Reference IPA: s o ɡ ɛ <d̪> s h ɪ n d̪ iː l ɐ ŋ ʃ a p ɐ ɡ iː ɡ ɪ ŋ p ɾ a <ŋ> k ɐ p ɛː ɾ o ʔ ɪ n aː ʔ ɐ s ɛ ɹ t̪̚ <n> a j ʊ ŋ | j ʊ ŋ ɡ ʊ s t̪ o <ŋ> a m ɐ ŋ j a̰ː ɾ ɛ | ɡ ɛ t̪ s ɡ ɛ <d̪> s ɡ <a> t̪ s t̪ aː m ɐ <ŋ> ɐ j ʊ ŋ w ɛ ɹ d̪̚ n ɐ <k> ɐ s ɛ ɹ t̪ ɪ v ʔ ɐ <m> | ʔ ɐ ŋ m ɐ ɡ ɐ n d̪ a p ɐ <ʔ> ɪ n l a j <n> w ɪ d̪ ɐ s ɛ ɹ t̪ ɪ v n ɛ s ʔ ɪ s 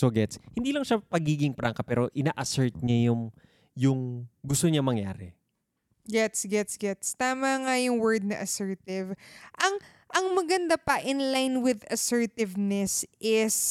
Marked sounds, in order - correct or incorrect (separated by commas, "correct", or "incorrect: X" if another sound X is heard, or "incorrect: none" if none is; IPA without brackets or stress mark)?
incorrect: t̪, correct, incorrect: ɲ, incorrect: ɲ, incorrect: t̪, incorrect: ɛ, correct, incorrect: ʔ, incorrect: ŋ, correct, correct